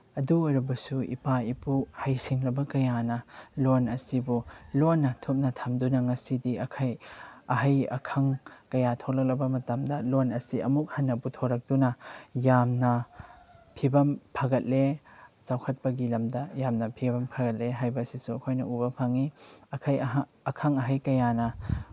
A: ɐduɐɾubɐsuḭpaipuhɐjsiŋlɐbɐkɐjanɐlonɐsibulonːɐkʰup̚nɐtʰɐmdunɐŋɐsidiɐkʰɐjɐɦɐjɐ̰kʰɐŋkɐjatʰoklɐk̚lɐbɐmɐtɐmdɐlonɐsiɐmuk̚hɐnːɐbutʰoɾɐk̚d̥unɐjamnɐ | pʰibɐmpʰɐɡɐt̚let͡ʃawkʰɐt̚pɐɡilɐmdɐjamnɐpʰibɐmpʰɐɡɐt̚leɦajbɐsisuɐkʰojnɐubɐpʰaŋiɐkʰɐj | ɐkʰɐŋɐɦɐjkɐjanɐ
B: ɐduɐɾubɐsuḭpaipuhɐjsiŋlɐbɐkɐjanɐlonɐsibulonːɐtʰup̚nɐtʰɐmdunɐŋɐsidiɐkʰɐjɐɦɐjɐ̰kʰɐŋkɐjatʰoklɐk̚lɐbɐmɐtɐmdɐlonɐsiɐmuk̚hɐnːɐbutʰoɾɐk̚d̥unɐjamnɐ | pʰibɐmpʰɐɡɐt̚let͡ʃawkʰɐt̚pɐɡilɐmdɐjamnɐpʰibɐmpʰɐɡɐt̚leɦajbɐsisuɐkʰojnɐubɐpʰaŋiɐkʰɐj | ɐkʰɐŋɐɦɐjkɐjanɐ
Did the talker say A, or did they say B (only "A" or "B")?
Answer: B